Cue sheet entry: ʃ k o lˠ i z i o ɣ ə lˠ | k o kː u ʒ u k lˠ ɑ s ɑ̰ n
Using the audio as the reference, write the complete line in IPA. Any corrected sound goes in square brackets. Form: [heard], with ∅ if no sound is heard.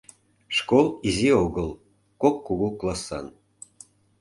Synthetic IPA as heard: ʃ k o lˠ i z i o ɣ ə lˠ | k o kː u [ɣ] u k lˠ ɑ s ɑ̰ n